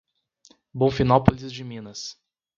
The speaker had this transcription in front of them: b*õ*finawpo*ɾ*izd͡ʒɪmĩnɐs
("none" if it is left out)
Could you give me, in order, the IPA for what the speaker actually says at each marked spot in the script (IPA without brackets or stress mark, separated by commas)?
õ, l